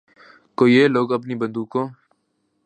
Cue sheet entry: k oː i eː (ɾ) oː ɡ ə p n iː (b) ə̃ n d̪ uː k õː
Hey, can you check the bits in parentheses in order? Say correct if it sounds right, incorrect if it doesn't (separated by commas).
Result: incorrect, correct